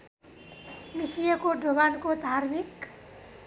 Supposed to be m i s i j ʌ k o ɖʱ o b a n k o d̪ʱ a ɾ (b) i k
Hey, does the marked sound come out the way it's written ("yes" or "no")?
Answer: no